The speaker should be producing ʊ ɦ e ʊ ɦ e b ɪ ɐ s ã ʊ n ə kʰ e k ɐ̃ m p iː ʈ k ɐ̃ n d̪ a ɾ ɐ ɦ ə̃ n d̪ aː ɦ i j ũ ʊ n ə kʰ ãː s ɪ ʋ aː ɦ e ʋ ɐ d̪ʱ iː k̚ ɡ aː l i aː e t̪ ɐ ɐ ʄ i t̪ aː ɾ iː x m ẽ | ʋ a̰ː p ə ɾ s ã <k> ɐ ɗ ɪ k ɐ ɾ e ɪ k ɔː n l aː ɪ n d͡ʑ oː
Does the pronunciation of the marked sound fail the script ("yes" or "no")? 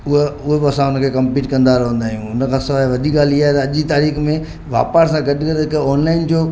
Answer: yes